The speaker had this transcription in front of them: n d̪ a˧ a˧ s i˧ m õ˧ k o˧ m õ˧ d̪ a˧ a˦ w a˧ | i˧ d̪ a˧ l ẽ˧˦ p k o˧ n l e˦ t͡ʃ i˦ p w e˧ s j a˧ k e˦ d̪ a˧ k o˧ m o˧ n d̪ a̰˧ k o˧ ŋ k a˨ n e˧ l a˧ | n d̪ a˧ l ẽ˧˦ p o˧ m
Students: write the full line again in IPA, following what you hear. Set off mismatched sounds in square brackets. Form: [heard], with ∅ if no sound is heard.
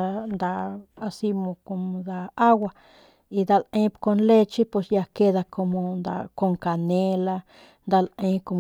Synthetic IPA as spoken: n d̪ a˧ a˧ s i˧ m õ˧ k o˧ m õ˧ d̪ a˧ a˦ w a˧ | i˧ d̪ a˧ l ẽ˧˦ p k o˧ n l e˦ t͡ʃ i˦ p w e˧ s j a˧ k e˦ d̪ a˧ k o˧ m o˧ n d̪ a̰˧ k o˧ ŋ k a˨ n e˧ l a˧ | n d̪ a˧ l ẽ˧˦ [k] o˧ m